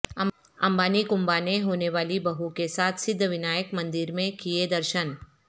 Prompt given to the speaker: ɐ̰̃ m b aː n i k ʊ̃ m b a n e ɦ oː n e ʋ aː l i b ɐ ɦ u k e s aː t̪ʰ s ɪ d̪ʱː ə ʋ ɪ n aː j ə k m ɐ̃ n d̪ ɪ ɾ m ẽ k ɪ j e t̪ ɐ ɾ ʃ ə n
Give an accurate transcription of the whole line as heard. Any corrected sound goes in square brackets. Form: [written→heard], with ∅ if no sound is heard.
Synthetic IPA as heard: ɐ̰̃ m b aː n i k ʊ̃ m b a n e ɦ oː n e ʋ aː l i b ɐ ɦ u k e s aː t̪ʰ s ɪ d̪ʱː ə ʋ ɪ n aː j ə k m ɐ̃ n d̪ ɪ ɾ m ẽ k [ɪ→i] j e [t̪→d̪] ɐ ɾ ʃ ə n